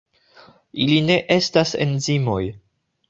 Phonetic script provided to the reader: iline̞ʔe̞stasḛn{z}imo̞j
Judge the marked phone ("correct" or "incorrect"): correct